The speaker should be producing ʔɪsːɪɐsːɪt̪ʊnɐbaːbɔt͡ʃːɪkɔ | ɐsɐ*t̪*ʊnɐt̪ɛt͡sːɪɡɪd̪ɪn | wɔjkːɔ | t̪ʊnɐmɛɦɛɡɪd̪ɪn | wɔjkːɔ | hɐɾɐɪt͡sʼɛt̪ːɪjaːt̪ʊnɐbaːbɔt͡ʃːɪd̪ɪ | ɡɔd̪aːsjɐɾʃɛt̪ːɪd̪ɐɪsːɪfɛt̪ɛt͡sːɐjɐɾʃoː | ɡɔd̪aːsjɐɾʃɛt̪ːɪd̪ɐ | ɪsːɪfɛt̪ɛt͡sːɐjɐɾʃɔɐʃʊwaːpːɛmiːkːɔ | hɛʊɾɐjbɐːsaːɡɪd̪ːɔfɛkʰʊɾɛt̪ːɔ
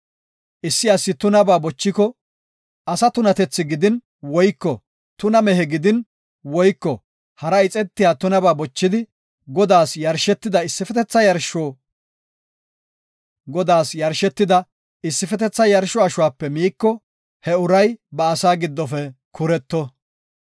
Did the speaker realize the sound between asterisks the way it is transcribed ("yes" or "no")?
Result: yes